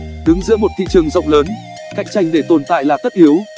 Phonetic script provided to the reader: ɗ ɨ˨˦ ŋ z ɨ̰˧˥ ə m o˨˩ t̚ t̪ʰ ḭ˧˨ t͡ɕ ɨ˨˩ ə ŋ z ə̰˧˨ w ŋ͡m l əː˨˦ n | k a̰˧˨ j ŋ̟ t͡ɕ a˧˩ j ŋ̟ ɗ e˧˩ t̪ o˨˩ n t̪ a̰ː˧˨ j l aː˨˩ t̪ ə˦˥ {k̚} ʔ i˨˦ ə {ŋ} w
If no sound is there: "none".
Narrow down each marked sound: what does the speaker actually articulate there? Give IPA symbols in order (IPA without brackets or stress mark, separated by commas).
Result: t̚, none